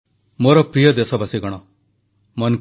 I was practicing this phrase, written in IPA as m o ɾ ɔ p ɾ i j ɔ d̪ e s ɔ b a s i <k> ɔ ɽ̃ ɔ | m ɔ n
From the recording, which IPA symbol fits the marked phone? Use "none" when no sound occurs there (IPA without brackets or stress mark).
ɡ